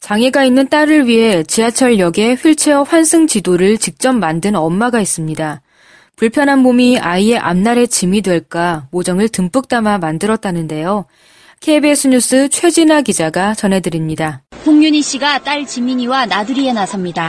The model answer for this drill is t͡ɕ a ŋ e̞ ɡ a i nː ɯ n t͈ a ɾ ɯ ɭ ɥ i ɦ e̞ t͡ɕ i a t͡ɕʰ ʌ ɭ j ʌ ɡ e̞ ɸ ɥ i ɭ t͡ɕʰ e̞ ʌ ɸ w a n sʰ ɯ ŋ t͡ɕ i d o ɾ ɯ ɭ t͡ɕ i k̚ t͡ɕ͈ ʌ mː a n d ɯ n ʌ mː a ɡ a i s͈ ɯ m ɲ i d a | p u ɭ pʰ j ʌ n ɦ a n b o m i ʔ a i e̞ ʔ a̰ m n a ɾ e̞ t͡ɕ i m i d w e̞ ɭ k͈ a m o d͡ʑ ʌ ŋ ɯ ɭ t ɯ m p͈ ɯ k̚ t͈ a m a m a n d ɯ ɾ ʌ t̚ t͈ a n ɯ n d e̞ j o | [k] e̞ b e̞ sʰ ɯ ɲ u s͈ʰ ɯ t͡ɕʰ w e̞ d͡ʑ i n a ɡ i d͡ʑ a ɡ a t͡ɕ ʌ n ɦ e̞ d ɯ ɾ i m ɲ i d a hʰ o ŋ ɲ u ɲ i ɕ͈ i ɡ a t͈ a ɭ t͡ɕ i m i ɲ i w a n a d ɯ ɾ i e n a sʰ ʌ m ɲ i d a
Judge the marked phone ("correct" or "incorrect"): incorrect